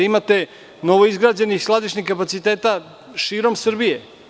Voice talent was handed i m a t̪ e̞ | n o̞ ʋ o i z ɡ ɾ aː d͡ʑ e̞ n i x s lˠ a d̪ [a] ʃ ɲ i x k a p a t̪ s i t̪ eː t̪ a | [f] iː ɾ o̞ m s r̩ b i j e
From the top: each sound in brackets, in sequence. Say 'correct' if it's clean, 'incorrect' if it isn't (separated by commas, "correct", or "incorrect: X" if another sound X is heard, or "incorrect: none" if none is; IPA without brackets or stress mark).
incorrect: i, incorrect: ʃ